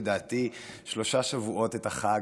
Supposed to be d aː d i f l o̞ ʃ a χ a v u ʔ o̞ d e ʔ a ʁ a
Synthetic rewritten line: d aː t i ʃ l o̞ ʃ a ʃ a v u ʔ o̞ t e t a χ a